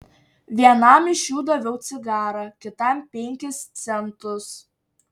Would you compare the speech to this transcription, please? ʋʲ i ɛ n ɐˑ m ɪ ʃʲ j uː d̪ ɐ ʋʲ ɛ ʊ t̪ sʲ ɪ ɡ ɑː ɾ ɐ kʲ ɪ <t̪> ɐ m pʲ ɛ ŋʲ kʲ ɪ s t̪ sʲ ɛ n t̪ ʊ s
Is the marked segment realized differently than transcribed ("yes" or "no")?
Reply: no